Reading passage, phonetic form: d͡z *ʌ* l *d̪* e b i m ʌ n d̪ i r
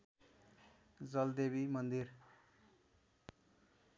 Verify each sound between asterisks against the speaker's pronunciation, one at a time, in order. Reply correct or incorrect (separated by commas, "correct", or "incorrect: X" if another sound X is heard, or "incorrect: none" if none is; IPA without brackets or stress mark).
correct, correct